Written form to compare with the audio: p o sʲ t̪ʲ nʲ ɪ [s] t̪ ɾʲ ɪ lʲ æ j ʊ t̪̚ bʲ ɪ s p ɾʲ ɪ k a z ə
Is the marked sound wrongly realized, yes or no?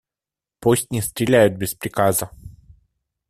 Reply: no